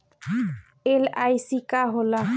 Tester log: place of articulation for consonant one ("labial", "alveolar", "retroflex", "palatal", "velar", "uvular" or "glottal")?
alveolar